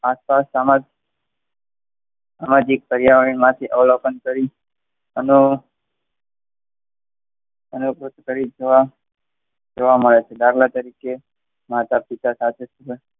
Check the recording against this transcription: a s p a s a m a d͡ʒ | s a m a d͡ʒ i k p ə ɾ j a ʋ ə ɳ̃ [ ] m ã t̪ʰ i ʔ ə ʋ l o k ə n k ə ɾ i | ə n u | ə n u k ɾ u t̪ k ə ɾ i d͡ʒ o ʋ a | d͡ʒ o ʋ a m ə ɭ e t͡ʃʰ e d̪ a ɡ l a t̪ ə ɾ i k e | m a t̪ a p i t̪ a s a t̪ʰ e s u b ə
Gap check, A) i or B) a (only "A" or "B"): A